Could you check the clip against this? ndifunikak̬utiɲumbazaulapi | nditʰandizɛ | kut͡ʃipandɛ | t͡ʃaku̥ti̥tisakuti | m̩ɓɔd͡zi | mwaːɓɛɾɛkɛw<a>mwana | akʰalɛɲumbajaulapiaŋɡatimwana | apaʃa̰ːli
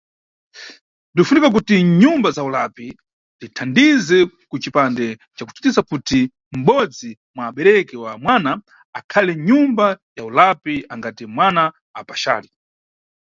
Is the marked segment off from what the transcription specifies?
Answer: no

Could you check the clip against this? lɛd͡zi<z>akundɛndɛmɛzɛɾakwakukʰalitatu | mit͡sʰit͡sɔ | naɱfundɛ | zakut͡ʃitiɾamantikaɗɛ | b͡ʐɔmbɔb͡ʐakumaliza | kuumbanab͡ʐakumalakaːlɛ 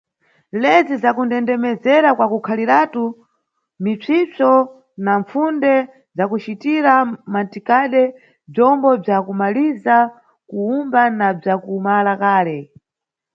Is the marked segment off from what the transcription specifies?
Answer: no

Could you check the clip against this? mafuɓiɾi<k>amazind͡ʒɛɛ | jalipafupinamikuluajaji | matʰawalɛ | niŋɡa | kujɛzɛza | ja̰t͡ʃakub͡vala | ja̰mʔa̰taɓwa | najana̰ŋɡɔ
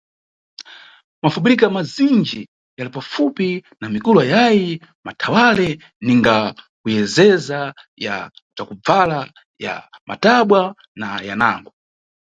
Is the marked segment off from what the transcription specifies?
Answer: no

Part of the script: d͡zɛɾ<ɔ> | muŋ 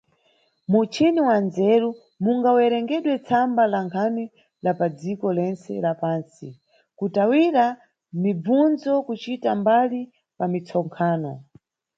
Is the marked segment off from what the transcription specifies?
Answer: yes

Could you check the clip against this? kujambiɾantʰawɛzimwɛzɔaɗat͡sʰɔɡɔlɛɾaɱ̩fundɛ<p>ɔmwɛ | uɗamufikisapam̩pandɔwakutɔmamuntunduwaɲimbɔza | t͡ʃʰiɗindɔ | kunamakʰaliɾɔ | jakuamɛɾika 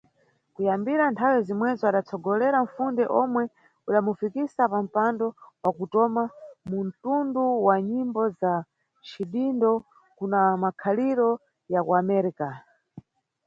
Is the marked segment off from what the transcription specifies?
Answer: yes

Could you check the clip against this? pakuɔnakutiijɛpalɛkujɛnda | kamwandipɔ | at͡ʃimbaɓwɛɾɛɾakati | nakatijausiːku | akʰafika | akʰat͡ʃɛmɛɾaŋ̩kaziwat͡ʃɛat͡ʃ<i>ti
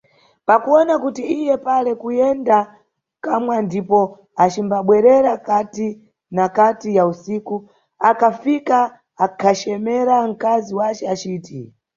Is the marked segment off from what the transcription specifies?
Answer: yes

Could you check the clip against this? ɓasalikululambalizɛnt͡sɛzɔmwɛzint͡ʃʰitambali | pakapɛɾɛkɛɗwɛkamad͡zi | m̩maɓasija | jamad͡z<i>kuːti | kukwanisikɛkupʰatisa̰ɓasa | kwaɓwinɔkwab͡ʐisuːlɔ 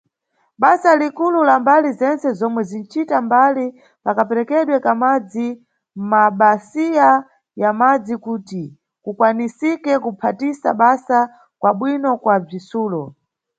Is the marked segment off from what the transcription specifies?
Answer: no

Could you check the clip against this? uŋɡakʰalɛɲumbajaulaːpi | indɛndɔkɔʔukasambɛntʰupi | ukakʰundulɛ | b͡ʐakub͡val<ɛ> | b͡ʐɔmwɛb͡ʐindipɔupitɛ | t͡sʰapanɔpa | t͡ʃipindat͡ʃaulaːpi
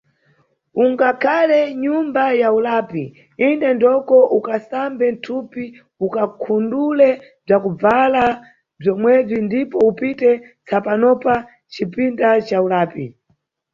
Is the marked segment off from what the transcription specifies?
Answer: yes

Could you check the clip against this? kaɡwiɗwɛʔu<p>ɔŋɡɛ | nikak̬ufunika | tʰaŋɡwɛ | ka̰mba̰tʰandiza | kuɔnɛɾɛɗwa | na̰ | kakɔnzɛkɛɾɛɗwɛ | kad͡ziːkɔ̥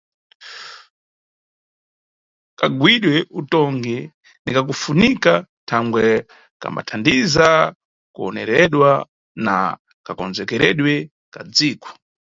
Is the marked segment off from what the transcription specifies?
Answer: yes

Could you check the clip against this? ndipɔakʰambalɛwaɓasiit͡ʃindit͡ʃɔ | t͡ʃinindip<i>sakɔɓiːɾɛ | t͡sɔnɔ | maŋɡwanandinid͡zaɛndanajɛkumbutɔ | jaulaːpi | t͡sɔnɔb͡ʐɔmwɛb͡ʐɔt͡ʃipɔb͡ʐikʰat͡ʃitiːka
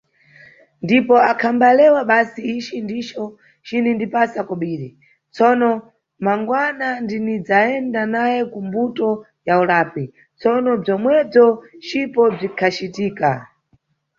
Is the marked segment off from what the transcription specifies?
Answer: yes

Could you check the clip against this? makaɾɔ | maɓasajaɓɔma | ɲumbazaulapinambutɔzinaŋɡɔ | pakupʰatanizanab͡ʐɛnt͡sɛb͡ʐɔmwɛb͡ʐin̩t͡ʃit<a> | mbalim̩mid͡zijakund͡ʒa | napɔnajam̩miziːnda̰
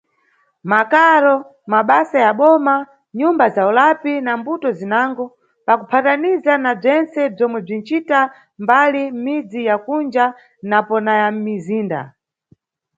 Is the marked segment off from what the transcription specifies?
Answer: no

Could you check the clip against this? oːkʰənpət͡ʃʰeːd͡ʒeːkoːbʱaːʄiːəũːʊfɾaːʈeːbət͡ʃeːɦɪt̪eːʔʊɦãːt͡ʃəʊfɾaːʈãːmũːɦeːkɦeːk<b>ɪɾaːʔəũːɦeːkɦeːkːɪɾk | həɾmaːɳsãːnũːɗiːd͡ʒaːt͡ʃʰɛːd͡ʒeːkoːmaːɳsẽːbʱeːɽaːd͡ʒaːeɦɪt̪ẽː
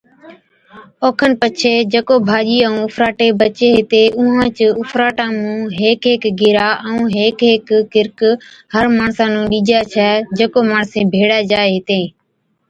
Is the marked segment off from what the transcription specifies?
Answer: yes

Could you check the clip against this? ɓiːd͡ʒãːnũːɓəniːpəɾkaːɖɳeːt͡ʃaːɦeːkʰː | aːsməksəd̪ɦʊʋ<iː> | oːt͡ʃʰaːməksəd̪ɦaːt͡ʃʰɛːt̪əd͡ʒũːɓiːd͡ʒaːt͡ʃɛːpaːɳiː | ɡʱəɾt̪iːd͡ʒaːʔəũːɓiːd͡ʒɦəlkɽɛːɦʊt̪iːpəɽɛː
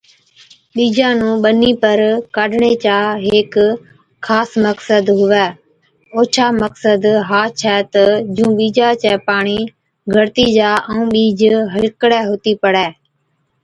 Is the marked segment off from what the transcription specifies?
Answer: yes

